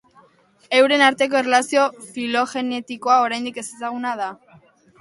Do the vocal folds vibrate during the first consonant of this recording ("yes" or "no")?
yes